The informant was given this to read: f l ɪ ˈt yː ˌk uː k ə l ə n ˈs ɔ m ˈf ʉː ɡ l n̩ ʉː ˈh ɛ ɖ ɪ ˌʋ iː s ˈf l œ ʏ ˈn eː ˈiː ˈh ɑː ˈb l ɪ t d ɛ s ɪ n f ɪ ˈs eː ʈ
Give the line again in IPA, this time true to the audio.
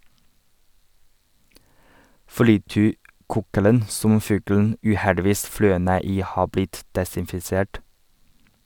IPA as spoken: f l ɪ ˈt yː ˌk uː k ə l ə n ˈs ɔ m ˈf ʉː ɡ l n̩ ʉː ˈh ɛ ɖ ɪ ˌʋ iː s ˈf l œ ʏ ˈn eː ˈiː ˈh ɑː ˈb l ɪ t d ɛ s ɪ n f ɪ ˈs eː ʈ